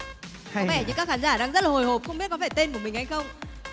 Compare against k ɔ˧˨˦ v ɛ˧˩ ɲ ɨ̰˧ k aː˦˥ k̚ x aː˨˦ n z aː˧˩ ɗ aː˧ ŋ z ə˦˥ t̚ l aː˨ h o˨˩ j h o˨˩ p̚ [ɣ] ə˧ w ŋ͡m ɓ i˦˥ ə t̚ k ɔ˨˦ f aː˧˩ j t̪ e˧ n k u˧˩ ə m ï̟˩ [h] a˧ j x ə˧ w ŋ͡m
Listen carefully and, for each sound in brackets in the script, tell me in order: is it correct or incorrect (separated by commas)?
incorrect, correct